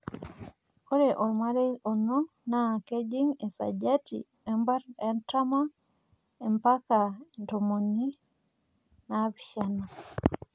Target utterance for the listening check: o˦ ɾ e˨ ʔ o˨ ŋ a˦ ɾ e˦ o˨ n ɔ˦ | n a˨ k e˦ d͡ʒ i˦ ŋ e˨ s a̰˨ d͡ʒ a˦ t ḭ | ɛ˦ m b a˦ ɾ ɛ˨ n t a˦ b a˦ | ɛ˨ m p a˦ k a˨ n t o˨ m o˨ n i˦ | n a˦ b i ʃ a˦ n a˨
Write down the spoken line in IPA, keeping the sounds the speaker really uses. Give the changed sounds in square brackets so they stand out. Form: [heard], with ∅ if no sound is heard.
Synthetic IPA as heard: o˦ ɾ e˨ ʔ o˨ [m] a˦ ɾ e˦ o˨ n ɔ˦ | n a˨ k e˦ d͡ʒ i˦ ŋ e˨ s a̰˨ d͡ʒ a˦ t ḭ | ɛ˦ m b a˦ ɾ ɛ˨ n t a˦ [m] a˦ | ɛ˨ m p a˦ k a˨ n t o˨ m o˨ n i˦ | n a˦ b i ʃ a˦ n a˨

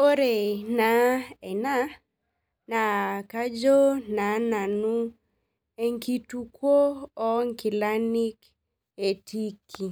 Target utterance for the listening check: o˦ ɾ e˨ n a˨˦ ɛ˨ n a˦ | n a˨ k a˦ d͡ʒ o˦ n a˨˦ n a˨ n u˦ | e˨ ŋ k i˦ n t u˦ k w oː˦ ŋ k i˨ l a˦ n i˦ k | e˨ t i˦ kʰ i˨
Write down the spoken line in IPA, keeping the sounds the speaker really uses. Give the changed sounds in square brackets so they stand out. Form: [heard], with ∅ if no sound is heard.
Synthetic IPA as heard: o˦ ɾ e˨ n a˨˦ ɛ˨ n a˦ | n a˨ k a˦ d͡ʒ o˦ n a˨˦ n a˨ n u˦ | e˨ ŋ k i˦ [∅] t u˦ k w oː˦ ŋ k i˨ l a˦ n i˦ k | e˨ t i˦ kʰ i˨

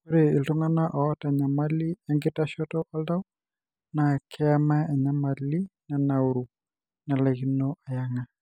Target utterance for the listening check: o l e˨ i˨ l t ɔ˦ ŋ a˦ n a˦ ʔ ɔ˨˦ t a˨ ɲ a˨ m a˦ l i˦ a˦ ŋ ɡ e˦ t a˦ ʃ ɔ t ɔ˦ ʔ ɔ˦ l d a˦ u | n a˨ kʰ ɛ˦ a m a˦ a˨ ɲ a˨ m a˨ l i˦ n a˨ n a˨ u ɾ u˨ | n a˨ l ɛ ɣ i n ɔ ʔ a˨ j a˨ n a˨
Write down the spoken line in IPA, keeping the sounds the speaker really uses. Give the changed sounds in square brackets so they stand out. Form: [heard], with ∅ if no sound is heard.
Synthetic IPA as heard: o [ɾ] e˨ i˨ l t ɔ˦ ŋ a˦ n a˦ ʔ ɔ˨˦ t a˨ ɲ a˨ m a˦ l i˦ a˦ ŋ ɡ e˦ t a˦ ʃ ɔ t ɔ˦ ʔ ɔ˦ l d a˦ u | n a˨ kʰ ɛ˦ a m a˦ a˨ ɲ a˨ m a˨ l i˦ n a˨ n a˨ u ɾ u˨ | n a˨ l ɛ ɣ i n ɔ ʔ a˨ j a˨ [ŋ] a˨

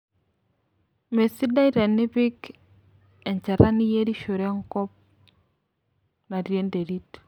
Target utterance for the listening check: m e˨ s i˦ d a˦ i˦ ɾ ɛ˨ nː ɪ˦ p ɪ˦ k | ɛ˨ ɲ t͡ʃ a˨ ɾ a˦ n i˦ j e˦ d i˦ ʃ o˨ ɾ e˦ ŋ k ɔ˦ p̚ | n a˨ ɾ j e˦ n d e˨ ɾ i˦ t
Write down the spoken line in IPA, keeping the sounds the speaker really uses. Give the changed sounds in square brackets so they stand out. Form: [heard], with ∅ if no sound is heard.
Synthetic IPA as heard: m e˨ s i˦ d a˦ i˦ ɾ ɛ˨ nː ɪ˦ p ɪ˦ k | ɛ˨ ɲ t͡ʃ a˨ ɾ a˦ n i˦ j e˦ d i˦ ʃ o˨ ɾ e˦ ŋ k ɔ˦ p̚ | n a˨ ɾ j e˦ n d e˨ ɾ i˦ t

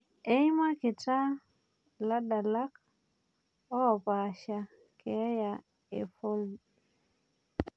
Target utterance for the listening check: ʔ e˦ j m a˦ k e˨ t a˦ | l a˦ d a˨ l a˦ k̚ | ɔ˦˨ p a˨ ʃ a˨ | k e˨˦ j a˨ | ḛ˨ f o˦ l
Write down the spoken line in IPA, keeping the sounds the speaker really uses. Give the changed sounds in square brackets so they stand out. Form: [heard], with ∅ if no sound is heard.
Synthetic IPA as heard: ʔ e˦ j m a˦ k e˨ t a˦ | l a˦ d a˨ l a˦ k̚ | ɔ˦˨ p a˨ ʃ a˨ | k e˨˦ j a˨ | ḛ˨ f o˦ l

